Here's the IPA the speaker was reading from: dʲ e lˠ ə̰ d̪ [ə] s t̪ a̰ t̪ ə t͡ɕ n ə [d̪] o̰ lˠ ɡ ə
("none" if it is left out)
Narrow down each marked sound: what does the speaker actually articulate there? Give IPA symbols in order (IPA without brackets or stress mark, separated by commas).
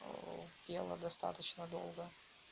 ɐ, d̪